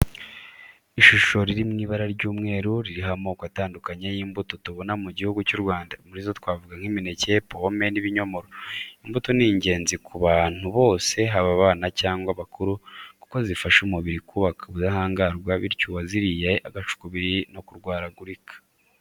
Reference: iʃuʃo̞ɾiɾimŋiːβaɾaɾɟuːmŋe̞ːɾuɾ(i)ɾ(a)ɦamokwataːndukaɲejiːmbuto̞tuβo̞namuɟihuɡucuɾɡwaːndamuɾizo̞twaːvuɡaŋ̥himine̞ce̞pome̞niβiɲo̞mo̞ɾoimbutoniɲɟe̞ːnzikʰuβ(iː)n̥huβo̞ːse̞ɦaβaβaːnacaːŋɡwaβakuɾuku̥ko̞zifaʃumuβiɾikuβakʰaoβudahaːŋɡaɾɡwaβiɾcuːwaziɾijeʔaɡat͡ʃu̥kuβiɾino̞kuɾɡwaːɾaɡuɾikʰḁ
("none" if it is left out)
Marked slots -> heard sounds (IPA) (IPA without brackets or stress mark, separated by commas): i, i, aː